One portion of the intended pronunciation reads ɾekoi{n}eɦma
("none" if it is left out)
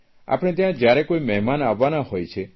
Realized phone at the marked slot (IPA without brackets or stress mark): m